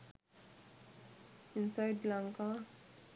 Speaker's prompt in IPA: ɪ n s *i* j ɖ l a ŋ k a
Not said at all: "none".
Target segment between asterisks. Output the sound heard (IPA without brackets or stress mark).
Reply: a